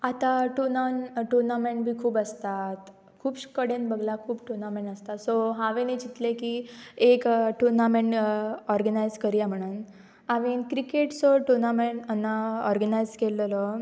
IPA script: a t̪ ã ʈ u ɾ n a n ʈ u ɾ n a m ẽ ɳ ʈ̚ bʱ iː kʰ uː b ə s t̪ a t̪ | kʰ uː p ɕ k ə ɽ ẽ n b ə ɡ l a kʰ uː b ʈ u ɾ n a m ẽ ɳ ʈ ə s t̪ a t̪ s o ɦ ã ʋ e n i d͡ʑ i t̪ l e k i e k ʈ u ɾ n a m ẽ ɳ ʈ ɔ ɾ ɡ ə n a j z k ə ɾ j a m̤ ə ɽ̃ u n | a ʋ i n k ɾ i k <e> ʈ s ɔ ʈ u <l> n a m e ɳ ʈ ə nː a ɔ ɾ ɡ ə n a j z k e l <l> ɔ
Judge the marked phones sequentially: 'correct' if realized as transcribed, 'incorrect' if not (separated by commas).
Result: correct, incorrect, correct